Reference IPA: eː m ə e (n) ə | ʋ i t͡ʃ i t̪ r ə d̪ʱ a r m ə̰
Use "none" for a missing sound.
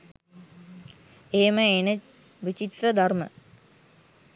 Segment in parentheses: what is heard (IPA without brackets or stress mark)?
n